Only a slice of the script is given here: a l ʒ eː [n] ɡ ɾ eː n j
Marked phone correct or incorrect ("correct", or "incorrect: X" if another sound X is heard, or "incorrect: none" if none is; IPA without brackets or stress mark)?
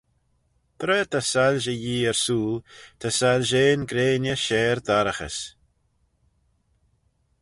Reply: correct